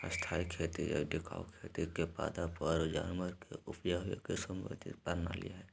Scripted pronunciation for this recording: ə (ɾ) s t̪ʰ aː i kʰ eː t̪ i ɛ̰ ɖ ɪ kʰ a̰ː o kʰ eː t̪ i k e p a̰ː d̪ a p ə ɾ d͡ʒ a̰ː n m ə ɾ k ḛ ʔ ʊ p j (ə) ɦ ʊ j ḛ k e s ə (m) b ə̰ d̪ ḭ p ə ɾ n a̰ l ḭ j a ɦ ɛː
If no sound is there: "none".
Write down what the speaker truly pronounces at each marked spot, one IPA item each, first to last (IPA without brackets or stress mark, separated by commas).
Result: none, a, m